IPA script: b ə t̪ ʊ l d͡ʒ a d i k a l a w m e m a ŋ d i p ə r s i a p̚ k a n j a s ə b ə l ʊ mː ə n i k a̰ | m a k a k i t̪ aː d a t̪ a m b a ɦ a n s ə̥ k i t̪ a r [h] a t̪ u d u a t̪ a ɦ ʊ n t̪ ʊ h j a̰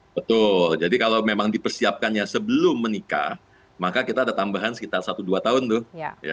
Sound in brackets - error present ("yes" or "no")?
yes